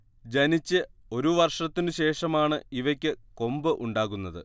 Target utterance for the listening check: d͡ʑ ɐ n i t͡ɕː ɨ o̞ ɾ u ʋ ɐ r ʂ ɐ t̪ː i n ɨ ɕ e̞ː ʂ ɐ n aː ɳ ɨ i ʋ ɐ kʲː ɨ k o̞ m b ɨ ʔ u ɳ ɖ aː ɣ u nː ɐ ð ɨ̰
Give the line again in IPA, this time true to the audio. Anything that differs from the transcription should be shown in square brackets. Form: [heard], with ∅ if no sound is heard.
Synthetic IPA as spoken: d͡ʑ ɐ n i t͡ɕː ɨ o̞ ɾ u ʋ ɐ r ʂ ɐ t̪ː i n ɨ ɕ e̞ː ʂ ɐ [m] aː ɳ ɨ i ʋ ɐ kʲː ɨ k o̞ m b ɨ ʔ u ɳ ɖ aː ɣ u nː ɐ ð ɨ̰